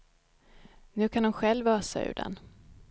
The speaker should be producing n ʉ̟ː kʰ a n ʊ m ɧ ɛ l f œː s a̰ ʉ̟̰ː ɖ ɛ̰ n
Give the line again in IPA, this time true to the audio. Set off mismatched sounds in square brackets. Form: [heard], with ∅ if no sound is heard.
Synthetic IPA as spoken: n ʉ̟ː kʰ a n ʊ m ɧ ɛ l [v] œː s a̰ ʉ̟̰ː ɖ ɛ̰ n